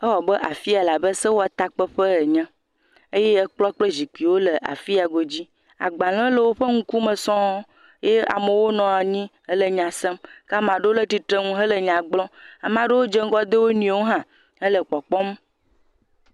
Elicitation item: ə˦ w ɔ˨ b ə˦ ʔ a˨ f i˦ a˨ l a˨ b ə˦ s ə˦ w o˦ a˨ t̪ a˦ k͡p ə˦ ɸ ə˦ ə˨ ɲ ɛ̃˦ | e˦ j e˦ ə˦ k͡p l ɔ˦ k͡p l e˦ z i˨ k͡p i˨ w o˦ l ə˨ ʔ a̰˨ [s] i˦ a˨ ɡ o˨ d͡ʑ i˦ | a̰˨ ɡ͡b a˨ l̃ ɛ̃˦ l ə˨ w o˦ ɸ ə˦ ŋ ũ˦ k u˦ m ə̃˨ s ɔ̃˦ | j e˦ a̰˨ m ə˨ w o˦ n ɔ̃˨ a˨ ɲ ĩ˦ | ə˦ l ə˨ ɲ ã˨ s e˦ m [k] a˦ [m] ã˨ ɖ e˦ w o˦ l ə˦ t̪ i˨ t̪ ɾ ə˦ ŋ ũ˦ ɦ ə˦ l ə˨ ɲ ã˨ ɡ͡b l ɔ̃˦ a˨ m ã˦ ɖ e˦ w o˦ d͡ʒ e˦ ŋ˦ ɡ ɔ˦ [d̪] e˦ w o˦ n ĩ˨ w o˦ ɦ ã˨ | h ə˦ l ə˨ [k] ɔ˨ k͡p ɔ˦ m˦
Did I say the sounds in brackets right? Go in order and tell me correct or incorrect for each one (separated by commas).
incorrect, correct, correct, correct, incorrect